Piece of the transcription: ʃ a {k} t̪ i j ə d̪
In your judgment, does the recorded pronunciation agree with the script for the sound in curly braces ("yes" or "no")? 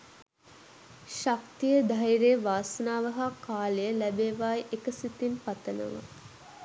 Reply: yes